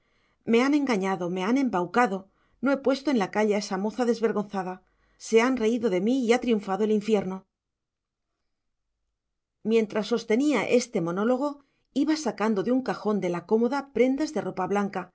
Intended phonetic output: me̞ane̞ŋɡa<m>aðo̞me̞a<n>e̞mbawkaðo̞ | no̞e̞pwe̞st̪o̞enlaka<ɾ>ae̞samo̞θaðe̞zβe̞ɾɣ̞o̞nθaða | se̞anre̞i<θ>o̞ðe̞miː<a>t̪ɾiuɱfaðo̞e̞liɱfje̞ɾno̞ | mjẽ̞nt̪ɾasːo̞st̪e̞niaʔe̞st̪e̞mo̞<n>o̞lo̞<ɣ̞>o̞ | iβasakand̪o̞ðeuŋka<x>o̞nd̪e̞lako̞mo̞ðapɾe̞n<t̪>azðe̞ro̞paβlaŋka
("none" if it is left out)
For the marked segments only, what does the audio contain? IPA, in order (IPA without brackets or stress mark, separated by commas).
ɲ, n, ʎ, ð, a, n, ɣ̞, x, d̪